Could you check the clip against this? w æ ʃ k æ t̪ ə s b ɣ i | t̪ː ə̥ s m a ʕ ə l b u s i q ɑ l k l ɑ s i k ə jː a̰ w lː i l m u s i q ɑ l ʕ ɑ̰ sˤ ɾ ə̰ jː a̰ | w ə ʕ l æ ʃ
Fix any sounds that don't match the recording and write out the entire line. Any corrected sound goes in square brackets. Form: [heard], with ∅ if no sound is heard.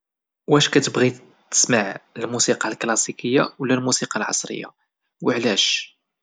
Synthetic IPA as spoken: w æ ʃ k æ t̪ ə [∅] b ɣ i | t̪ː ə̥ s m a ʕ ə l [m] u s i q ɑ l k l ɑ s i k ə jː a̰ w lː [æ] l m u s i q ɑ l ʕ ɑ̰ sˤ ɾ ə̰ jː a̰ | w ə ʕ l æ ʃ

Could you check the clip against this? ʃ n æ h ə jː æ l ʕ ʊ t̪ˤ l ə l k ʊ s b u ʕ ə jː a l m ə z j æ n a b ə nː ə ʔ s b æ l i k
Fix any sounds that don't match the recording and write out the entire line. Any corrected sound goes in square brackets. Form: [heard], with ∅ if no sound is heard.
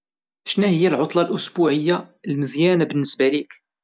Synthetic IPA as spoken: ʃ n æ h ə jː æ l ʕ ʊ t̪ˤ l [ɑ] l [ʔ] ʊ s b u ʕ ə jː a l m ə z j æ n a b ə nː ə [∅] s b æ l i k

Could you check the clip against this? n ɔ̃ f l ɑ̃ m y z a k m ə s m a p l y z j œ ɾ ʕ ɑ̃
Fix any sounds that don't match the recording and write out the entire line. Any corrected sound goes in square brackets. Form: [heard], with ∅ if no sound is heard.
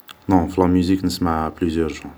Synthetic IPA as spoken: n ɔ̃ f l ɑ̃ m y z [i] k [n] ə s m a p l y z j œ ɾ [ʒ] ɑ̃

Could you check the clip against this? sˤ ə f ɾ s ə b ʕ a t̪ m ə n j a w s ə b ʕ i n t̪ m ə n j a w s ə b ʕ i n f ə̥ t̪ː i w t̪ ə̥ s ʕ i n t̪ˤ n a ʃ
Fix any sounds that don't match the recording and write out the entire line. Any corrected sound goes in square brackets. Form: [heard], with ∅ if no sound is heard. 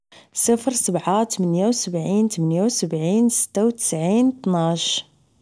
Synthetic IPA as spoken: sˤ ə f ɾ s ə b ʕ a t̪ m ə n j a w s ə b ʕ i n t̪ m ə n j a w s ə b ʕ i n [s] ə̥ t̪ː [a] w t̪ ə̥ s ʕ i n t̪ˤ n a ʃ

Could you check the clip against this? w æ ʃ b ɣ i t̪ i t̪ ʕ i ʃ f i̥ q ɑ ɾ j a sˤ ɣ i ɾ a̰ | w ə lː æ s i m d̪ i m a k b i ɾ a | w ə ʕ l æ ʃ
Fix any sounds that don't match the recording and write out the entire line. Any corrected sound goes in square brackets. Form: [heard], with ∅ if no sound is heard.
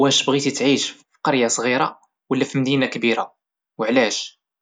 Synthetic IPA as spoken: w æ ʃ b ɣ i t̪ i t̪ ʕ i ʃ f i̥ q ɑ ɾ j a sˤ ɣ i ɾ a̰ | w ə lː æ [f] i m d̪ i [n] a k b i ɾ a | w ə ʕ l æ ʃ

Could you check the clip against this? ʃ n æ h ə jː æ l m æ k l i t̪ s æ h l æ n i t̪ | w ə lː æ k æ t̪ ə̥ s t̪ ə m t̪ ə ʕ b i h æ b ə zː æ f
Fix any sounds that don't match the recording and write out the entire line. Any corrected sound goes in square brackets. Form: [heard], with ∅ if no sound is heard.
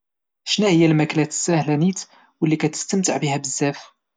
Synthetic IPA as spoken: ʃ n æ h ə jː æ l m æ k l [æ] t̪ s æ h l æ n i t̪ | w ə lː [i] k æ t̪ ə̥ s t̪ ə m t̪ ə ʕ b i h æ b ə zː æ f

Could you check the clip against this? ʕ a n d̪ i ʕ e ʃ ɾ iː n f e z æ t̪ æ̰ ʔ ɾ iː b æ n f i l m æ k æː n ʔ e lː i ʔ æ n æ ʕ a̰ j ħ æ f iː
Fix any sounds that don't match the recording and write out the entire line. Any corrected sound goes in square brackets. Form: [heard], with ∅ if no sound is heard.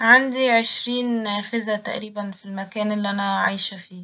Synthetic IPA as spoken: ʕ a n d̪ i ʕ e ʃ ɾ iː n f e z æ t̪ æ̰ ʔ ɾ iː b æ n f i l m æ k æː n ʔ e lː i ʔ æ n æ ʕ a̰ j [ʃ] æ f iː

